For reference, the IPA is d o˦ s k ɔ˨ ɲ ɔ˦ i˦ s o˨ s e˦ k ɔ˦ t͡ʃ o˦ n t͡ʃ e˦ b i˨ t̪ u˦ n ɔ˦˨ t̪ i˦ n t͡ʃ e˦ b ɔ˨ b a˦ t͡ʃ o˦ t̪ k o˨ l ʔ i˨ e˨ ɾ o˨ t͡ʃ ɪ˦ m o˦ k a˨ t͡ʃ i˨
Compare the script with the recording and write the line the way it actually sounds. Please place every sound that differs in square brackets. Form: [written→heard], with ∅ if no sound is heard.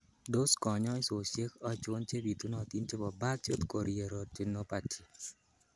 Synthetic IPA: d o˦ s k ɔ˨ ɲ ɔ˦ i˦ s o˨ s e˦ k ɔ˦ t͡ʃ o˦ n t͡ʃ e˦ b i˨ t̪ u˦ n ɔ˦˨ t̪ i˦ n t͡ʃ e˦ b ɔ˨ b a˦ t͡ʃ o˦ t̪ k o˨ [l→ɾ] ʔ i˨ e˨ ɾ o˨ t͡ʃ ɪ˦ [m→n] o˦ [k→p] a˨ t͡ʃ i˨